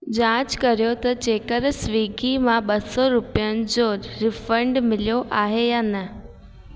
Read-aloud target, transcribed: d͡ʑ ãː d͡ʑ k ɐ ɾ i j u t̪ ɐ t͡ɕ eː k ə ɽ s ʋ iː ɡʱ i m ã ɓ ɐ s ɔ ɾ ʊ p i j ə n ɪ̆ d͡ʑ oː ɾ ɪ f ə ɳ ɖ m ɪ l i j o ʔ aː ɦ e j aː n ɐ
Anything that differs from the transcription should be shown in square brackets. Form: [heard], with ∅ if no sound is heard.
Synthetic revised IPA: d͡ʑ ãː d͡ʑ k ɐ ɾ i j [o] t̪ ɐ t͡ɕ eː k ə [ɾ] s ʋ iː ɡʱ i m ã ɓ ɐ s ɔ ɾ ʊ p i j ə n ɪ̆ d͡ʑ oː ɾ ɪ f ə ɳ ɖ m ɪ l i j o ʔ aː ɦ e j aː n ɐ